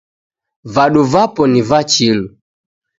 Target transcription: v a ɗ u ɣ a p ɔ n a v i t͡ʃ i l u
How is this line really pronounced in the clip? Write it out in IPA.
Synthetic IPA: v a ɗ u v a p ɔ n i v a t͡ʃ i l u